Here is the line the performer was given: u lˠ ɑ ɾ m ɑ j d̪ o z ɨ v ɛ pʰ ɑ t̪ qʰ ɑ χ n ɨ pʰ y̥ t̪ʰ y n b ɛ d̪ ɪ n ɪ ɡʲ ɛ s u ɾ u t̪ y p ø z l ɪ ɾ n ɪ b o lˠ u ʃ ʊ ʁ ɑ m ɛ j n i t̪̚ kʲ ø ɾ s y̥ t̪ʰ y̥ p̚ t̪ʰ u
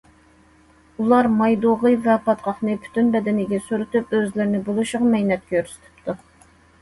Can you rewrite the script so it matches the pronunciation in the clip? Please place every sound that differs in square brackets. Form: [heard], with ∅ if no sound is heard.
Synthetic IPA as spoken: u lˠ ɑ ɾ m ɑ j d̪ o [ʁ] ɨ v ɛ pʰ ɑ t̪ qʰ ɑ χ n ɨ pʰ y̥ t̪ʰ y n b ɛ d̪ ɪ n ɪ ɡʲ ɛ s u ɾ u t̪ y p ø z l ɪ ɾ n ɪ b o lˠ u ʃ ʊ ʁ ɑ m ɛ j n [ɛ] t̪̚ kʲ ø ɾ s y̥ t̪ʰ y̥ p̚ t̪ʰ u